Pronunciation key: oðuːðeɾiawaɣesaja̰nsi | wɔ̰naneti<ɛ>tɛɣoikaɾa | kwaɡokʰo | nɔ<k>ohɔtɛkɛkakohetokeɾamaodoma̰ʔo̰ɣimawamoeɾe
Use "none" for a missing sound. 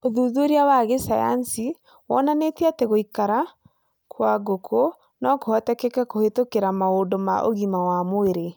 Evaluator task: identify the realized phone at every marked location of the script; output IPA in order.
a, k

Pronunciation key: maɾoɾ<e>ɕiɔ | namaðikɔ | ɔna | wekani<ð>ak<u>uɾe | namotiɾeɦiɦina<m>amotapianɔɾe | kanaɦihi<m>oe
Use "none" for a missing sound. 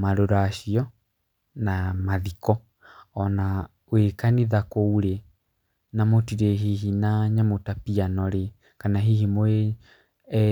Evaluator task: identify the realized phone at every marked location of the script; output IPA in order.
a, ð, o, ɲ, m

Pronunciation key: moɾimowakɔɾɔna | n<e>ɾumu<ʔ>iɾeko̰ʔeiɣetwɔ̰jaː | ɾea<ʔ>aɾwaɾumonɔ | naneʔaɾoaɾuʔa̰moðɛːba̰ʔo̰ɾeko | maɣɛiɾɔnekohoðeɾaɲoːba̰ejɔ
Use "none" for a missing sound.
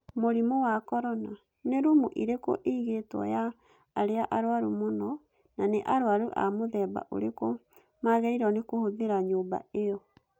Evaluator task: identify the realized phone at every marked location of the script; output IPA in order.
e, ʔ, ʔ

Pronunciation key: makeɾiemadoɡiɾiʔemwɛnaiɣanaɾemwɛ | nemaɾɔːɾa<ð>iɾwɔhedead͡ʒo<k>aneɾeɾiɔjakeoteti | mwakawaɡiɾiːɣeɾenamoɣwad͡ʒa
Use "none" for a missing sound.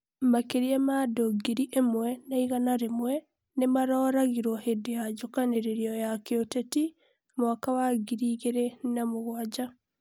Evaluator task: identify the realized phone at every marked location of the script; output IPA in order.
ɣ, k

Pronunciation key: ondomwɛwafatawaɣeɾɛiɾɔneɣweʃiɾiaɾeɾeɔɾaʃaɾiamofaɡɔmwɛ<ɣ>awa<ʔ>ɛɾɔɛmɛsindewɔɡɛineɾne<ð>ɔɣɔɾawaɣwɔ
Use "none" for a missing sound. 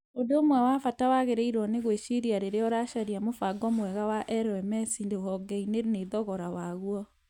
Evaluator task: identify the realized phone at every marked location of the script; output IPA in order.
ɣ, ʔ, ð

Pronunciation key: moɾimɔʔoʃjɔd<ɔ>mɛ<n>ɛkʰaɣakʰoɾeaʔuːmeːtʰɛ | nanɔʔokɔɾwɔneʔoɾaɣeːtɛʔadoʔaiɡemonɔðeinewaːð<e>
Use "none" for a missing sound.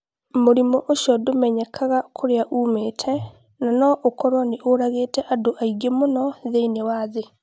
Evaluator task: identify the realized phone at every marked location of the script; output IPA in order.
o, ɲ, e

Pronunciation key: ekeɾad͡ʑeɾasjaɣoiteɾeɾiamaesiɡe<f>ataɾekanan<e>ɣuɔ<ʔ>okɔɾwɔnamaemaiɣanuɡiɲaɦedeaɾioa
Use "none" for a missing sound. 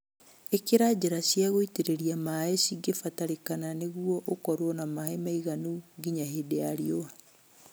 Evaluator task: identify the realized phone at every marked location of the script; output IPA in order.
f, e, ʔ

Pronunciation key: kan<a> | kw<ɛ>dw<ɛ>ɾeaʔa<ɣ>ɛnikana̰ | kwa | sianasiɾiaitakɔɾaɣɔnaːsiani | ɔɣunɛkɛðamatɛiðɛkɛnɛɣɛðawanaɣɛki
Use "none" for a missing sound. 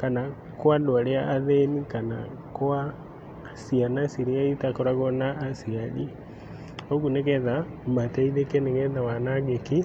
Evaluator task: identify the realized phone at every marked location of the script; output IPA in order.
a, a, a, ð

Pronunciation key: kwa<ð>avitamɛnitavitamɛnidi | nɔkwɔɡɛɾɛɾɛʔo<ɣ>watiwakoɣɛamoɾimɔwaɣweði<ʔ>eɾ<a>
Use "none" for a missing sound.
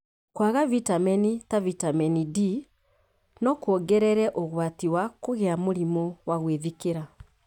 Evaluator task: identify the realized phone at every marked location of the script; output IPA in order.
ɣ, ɣ, k, a

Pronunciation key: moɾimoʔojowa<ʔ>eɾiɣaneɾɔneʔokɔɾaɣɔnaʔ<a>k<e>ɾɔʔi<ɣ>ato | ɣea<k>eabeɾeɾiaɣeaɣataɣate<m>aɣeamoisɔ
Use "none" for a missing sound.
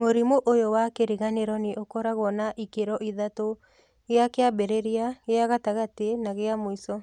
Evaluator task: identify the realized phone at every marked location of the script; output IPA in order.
k, i, e, ð, k, n

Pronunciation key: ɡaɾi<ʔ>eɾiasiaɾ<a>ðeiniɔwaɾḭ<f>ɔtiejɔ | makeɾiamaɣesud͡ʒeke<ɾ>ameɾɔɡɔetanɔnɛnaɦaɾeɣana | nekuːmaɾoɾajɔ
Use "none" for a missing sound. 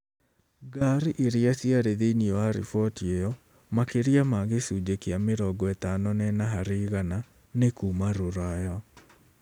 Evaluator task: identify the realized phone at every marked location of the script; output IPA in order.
ʔ, e, f, none

